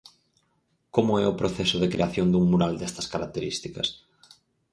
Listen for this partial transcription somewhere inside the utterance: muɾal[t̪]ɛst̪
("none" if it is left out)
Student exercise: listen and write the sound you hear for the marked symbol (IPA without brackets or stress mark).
d̪